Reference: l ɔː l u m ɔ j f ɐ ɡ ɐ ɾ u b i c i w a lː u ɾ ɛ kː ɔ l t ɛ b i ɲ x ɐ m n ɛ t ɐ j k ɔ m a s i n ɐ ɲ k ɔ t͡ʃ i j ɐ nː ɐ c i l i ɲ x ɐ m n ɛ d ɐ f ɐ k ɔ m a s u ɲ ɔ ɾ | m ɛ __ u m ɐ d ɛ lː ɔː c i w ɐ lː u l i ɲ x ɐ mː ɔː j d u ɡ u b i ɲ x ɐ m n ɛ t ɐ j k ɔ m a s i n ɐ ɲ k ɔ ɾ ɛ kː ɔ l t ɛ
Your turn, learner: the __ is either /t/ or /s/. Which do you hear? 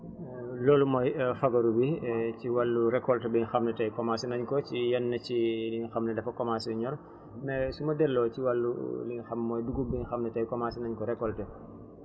s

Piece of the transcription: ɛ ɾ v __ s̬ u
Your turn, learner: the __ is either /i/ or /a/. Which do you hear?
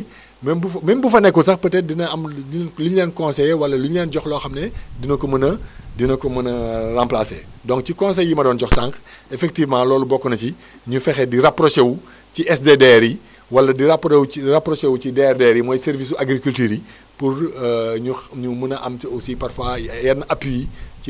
i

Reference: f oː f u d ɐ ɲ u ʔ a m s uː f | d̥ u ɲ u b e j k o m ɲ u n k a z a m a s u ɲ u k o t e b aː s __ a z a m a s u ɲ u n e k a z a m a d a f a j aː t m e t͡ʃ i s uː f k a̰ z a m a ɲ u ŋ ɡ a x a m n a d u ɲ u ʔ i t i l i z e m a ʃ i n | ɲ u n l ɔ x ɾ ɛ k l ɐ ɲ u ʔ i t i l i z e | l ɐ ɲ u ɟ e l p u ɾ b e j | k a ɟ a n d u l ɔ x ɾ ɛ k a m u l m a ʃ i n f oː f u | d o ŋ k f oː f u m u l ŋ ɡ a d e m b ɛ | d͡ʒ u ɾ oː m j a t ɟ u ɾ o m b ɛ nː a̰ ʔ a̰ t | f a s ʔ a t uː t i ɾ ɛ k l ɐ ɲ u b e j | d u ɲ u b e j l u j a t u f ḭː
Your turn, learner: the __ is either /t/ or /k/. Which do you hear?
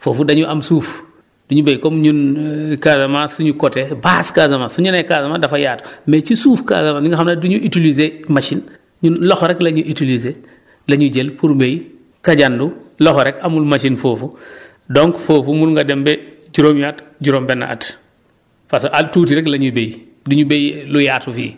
k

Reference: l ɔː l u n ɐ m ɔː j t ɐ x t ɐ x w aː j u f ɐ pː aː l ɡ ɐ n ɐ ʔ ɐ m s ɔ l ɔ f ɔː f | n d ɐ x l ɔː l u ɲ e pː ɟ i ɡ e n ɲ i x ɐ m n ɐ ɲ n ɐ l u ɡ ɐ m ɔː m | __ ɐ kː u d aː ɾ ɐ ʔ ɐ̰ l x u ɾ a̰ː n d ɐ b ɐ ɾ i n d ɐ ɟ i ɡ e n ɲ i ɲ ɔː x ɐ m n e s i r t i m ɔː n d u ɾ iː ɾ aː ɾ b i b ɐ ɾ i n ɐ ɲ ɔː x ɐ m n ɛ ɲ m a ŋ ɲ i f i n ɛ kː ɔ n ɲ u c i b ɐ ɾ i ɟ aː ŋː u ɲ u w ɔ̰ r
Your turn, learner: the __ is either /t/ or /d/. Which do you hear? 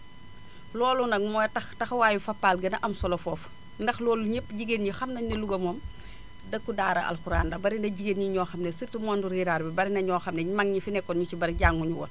d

